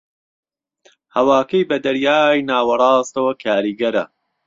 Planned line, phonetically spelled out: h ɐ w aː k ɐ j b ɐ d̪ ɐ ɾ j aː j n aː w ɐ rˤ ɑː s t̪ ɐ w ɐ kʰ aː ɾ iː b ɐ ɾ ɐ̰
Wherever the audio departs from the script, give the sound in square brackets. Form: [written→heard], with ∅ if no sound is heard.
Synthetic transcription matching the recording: h ɐ w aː k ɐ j b ɐ d̪ ɐ ɾ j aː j n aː w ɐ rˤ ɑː s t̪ ɐ w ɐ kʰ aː ɾ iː [b→ɡ] ɐ ɾ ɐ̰